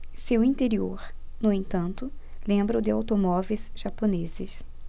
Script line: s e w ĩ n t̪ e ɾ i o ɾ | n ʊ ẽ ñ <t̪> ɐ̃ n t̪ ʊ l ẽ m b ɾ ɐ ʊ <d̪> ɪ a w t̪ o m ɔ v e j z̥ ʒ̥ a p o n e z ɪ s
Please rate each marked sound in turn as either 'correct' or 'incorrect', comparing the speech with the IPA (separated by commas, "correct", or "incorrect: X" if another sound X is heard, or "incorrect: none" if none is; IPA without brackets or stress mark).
correct, correct